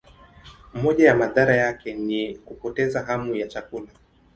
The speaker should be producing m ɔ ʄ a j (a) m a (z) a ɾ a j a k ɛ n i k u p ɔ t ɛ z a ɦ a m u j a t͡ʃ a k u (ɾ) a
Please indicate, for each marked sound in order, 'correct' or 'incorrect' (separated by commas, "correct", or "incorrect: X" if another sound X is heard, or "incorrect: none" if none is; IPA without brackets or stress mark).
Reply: correct, incorrect: ð, incorrect: l